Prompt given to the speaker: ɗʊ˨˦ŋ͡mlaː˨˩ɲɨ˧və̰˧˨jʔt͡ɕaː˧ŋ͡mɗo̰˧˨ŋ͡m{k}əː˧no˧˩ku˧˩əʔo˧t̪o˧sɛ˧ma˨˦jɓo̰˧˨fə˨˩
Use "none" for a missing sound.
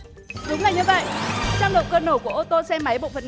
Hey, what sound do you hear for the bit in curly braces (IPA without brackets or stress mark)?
k